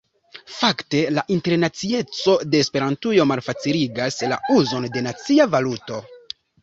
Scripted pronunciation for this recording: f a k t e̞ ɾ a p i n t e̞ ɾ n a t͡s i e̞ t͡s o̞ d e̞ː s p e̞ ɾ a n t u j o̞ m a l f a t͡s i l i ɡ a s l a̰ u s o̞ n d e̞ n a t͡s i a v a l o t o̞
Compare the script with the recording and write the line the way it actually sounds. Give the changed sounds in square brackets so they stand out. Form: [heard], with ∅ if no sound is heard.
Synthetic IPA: f a k t e̞ [l] a [ʔ] i n t e̞ ɾ n a t͡s i e̞ t͡s o̞ d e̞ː s p e̞ ɾ a n t u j o̞ m a l f a t͡s i l i ɡ a s l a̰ u [z] o̞ n d e̞ n a t͡s i a v a l [u] t o̞